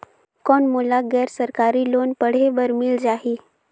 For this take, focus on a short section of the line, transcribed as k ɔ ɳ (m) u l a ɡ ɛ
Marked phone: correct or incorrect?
correct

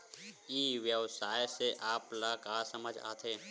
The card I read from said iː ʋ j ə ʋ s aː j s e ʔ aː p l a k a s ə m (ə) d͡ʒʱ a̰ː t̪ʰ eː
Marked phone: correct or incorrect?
correct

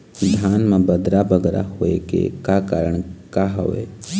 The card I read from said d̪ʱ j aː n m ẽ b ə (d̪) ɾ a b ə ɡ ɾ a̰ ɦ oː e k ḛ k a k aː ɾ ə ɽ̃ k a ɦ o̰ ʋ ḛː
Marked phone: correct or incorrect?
correct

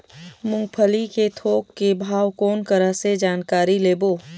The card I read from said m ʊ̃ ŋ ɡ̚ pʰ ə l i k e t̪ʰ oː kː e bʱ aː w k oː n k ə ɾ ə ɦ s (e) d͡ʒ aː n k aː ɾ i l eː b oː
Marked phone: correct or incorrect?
correct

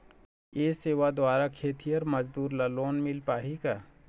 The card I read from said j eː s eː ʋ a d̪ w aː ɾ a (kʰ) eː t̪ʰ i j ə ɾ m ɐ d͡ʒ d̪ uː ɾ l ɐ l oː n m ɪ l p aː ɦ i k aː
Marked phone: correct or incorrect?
correct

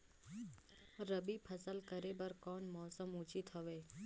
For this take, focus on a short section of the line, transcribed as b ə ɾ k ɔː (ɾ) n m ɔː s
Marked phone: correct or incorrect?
incorrect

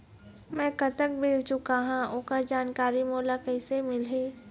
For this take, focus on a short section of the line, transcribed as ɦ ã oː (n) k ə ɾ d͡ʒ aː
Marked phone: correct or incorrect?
incorrect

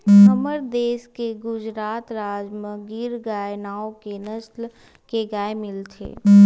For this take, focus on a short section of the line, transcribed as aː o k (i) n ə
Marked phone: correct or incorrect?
incorrect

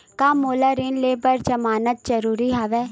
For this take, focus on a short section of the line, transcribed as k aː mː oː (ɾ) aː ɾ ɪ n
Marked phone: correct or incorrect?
incorrect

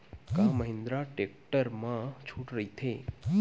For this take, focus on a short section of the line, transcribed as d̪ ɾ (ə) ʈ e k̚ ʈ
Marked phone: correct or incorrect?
incorrect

